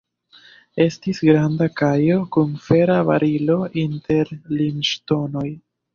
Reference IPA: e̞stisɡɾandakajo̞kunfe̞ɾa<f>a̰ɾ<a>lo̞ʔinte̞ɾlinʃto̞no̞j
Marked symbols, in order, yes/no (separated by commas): no, no